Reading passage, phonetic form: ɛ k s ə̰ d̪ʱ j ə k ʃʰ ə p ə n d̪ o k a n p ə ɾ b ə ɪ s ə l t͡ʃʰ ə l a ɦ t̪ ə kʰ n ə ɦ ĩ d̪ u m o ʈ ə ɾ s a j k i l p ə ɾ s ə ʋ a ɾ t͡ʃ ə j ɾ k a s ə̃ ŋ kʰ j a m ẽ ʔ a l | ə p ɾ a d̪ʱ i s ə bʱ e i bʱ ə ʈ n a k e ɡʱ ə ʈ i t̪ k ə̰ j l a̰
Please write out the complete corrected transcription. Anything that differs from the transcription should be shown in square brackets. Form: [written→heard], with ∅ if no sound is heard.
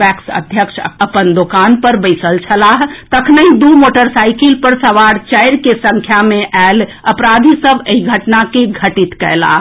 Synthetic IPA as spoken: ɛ k s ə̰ d̪ʱ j ə k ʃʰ ə p ə n d̪ o k a n p ə ɾ b ə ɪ s ə l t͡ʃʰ ə l a ɦ t̪ ə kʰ n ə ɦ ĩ d̪ u m o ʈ ə ɾ s a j k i l p ə ɾ s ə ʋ a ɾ t͡ʃ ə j ɾ k [a→e] s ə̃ ŋ kʰ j a m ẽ ʔ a l | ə p ɾ a d̪ʱ i s ə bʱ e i [bʱ→ɡʱ] ə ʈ n a k e ɡʱ ə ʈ i t̪ k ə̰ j l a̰